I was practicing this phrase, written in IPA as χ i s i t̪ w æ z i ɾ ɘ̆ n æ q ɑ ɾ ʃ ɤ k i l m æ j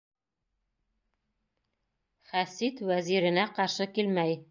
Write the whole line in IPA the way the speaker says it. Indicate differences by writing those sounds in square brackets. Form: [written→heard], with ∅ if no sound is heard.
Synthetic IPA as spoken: χ [i→æ] s i t̪ w æ z i ɾ ɘ̆ n æ q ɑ ɾ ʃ ɤ k i l m æ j